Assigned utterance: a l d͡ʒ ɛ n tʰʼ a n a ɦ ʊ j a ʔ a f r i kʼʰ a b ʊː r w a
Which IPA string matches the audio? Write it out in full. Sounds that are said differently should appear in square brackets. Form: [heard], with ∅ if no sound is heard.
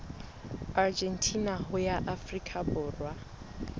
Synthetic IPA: a [r] d͡ʒ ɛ n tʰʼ [i] n a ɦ ʊ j a ʔ a f r i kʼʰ a b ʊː r w a